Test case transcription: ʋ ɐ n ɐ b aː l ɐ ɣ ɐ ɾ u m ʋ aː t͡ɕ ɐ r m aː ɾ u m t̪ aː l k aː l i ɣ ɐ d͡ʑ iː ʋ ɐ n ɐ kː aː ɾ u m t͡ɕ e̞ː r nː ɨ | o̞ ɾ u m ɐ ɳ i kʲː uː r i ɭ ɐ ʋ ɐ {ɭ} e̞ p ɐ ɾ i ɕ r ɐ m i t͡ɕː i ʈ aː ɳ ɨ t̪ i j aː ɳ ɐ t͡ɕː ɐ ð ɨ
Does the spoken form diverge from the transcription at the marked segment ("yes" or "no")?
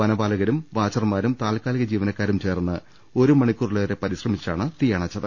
yes